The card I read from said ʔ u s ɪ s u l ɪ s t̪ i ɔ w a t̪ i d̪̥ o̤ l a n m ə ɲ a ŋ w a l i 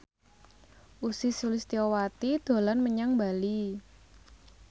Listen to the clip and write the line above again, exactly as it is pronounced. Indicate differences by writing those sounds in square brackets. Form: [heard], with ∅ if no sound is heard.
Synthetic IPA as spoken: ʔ u s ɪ s u l ɪ s t̪ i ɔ w a t̪ i d̪̥ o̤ l a n m ə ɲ a ŋ [b] a l i